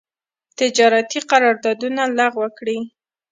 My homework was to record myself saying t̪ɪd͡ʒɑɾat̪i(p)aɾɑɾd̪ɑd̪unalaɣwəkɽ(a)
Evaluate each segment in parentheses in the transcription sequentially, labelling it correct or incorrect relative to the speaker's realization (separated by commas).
incorrect, incorrect